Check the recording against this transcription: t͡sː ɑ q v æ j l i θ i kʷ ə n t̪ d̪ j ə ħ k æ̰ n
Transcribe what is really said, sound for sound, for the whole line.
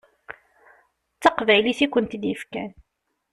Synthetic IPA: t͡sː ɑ q v æ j l i θ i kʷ ə n t̪ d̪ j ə f k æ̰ n